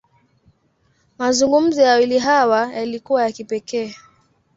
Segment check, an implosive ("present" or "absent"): absent